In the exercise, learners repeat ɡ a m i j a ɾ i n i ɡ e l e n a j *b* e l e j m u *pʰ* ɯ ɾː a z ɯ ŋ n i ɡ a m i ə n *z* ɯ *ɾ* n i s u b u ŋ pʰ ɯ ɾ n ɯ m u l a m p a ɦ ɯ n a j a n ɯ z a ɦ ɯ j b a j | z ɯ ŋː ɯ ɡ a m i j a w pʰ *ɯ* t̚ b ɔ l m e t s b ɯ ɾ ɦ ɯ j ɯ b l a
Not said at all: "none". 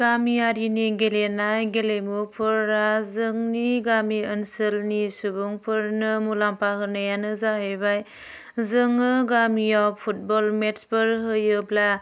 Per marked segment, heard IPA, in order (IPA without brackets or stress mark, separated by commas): ɡ, pʰ, s, l, u